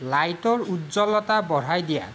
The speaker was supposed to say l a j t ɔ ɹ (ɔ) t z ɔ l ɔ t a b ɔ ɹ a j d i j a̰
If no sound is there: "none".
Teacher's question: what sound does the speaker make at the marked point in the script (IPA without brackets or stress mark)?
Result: u